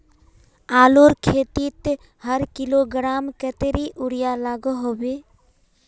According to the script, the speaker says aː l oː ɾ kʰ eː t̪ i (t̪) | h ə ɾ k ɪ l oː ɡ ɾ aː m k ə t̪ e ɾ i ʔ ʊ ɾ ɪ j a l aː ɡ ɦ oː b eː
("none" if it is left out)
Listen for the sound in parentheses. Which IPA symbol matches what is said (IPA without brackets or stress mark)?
t̪